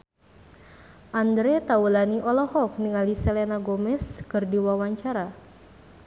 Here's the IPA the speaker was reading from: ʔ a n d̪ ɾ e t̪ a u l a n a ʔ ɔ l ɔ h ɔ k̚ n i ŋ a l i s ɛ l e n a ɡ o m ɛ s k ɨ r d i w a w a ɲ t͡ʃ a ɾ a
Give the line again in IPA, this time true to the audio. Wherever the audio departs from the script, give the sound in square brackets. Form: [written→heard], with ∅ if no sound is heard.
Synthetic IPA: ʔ a n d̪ ɾ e t̪ a u l a n [a→i] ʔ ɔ l ɔ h ɔ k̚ n i ŋ a l i s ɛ l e n a ɡ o m ɛ s k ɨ r d i w a w a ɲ t͡ʃ a ɾ a